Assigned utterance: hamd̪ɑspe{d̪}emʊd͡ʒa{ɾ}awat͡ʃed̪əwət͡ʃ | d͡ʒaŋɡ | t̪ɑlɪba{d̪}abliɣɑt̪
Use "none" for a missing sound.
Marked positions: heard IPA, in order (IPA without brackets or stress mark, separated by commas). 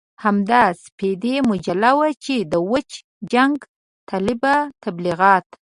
d̪, l, t̪